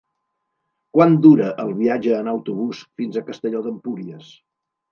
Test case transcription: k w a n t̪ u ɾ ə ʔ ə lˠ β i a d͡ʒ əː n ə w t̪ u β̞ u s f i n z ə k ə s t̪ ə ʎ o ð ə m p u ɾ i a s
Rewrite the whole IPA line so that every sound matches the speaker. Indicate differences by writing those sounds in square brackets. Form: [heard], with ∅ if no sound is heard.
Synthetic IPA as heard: k w a n [d̪] u ɾ ə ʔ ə lˠ β i a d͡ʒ əː n ə w t̪ u β̞ u s f i n z ə k ə s t̪ ə ʎ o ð ə m p u ɾ i [ə] s